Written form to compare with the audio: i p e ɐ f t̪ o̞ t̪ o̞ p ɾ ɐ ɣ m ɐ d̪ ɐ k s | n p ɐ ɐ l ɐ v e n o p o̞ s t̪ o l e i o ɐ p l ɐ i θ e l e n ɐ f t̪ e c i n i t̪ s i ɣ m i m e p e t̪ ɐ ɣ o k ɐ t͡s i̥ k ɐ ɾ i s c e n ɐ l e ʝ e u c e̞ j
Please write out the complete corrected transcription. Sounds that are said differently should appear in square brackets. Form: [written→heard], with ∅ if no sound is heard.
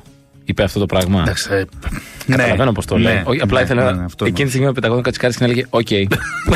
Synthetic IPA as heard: i p e ɐ f t̪ o̞ t̪ o̞ p ɾ ɐ ɣ m ɐ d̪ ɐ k s | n [p→k] ɐ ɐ l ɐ v e n o p o̞ s t̪ o l e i o ɐ p l ɐ i θ e l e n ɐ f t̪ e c i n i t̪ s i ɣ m i m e p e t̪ ɐ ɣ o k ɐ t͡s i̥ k ɐ ɾ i s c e n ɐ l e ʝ e [u→o] c e̞ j